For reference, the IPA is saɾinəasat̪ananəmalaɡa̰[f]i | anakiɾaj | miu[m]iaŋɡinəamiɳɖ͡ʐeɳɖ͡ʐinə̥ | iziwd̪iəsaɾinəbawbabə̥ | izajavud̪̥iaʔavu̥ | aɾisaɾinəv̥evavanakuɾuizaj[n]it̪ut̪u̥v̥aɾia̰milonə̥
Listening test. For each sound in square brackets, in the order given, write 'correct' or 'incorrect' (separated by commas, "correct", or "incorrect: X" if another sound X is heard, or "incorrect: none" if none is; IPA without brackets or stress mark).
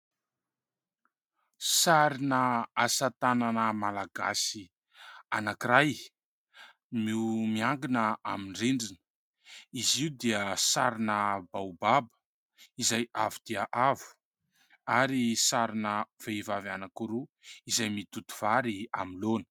incorrect: s, correct, incorrect: m